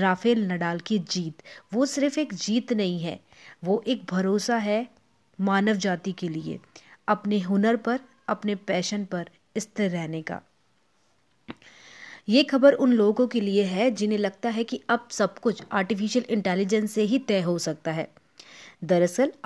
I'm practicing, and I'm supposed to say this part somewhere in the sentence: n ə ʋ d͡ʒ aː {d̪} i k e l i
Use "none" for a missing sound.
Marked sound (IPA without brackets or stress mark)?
t̪